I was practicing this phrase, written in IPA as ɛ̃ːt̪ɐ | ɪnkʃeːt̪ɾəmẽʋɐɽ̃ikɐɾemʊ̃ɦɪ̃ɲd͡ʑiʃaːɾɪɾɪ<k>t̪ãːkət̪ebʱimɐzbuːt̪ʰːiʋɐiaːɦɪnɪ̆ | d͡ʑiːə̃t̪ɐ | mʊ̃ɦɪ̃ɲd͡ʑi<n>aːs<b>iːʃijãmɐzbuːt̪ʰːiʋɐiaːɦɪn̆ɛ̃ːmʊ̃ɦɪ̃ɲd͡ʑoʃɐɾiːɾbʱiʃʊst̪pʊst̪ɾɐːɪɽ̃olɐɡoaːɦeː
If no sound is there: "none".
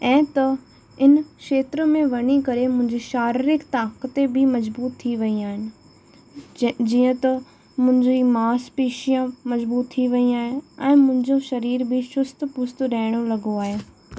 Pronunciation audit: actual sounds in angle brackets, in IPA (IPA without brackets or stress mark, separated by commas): k, m, p